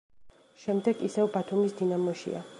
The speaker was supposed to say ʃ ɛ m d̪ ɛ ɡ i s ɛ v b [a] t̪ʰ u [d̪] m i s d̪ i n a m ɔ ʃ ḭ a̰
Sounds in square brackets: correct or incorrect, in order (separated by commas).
correct, incorrect